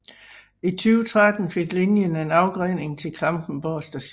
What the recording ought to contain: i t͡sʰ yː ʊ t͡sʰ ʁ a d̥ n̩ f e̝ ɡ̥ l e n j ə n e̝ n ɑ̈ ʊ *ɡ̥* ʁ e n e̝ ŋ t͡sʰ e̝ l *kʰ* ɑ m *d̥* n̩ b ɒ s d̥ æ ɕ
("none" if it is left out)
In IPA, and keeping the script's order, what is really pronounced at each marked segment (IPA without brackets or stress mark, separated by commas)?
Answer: ɡ̥, kʰ, b̥